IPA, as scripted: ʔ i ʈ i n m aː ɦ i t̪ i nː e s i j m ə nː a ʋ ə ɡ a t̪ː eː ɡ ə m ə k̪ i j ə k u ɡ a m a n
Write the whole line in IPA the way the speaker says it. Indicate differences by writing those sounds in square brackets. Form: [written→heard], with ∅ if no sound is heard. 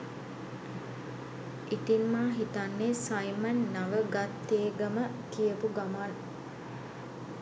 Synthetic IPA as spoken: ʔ i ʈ i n m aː ɦ i t̪ [i→a] nː e s [i→a] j m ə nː a ʋ ə ɡ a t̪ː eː ɡ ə m ə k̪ i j ə [k→p] u ɡ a m a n